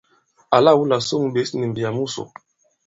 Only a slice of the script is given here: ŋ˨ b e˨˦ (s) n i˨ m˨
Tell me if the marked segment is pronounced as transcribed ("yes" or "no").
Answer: yes